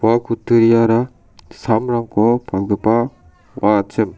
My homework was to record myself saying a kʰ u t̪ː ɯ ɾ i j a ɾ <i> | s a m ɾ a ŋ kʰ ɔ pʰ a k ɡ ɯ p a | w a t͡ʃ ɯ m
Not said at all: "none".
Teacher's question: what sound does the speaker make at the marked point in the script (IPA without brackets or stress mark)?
a